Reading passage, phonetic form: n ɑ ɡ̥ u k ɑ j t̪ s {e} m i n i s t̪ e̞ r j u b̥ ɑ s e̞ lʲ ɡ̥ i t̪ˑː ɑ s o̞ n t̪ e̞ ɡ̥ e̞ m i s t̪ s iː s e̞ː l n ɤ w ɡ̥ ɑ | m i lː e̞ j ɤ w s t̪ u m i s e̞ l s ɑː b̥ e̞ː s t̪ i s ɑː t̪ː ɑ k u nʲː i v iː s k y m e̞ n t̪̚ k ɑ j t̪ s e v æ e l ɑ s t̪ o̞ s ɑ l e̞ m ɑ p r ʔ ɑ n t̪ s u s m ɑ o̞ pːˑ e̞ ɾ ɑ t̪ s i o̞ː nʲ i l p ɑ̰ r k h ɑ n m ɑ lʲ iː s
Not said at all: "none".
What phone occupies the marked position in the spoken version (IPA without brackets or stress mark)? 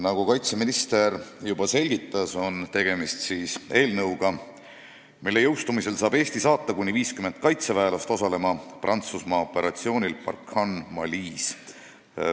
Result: e